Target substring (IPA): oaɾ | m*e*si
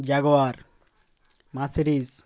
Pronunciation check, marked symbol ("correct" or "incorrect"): incorrect